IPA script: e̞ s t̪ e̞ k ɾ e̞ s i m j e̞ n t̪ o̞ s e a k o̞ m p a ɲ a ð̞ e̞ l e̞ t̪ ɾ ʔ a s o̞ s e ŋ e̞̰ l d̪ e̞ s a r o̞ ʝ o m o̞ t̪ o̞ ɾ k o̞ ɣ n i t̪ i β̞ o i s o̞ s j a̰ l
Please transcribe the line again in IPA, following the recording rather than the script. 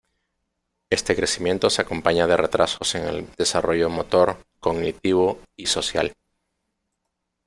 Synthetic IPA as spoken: e̞ s t̪ e̞ k ɾ e̞ s i m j e̞ n t̪ o̞ s e a k o̞ m p a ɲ a ð̞ e̞ r e̞ t̪ ɾ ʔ a s o̞ s e ŋ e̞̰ l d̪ e̞ s a r o̞ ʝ o m o̞ t̪ o̞ ɾ k o̞ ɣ n i t̪ i β̞ o i s o̞ s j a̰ l